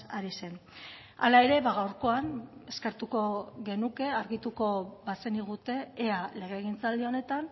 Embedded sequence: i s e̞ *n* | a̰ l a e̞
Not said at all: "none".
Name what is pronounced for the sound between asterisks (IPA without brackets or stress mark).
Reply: n